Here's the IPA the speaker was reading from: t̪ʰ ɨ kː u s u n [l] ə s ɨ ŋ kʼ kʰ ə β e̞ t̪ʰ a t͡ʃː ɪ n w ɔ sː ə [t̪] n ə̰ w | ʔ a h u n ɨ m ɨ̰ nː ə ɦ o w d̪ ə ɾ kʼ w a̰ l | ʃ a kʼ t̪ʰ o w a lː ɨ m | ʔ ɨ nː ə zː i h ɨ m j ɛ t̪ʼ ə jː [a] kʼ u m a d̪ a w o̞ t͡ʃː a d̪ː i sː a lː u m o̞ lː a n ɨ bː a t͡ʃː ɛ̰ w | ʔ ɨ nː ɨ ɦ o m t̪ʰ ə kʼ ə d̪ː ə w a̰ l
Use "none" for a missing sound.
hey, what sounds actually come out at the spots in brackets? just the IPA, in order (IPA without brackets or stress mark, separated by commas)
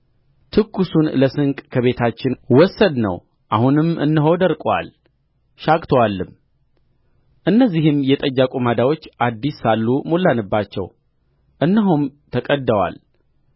l, d̪, a